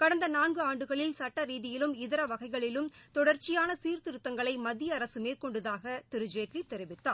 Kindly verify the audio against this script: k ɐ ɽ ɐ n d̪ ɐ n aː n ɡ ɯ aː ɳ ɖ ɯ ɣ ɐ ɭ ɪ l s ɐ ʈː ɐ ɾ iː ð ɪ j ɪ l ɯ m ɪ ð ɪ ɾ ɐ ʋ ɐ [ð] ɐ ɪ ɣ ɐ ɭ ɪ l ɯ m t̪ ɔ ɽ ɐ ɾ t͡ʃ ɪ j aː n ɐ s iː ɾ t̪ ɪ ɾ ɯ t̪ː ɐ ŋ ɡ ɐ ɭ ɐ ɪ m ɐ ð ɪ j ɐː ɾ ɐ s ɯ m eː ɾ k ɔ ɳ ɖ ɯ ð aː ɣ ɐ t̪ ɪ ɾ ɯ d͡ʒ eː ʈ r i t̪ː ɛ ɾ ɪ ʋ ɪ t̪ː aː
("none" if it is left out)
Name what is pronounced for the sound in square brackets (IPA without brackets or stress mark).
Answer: ɣ